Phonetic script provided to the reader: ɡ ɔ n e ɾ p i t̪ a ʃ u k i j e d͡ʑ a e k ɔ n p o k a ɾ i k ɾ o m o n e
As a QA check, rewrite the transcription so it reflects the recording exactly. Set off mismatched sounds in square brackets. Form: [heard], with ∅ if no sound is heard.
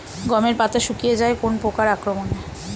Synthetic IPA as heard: ɡ ɔ [m] e ɾ p [a] t̪ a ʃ u k i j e d͡ʑ a e k [o] n p o k a ɾ [a] k ɾ o m o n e